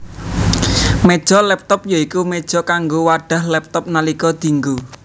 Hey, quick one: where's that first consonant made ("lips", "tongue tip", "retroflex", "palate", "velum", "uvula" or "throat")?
lips